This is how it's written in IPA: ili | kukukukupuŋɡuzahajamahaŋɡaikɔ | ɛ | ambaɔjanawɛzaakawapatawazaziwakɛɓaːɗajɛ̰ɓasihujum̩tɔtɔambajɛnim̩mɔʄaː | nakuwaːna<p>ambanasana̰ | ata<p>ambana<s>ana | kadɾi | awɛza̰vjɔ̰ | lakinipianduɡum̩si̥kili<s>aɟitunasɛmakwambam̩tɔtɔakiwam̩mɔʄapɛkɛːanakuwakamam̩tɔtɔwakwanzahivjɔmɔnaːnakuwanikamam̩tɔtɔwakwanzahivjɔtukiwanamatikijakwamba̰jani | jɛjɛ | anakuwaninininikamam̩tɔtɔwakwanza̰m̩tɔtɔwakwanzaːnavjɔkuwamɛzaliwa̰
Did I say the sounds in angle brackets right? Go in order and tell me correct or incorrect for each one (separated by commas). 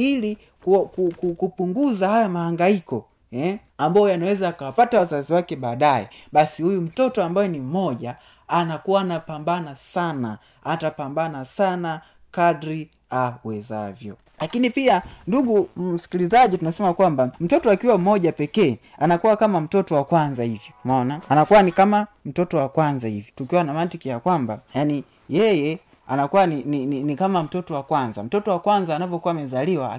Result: correct, correct, correct, incorrect